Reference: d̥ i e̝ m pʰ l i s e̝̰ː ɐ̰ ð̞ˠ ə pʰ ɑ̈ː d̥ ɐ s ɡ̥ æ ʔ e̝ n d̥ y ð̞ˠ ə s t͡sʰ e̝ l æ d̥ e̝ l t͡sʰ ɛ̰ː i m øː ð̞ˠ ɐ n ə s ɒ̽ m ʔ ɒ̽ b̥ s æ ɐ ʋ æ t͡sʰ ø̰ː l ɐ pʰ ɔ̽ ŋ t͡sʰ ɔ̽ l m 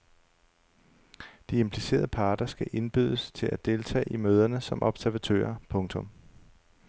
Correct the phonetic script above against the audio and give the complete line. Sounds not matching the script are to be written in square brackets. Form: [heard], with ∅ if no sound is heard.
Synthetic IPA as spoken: d̥ i e̝ m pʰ l i s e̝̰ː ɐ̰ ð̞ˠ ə pʰ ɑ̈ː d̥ ɐ s ɡ̥ æ ʔ e̝ n [b̥] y ð̞ˠ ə s t͡sʰ e̝ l æ d̥ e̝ l t͡sʰ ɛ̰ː i m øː ð̞ˠ ɐ n ə s ɒ̽ m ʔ ɒ̽ b̥ s æ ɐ ʋ æ t͡sʰ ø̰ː [∅] ɐ pʰ ɔ̽ ŋ t͡sʰ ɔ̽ [∅] m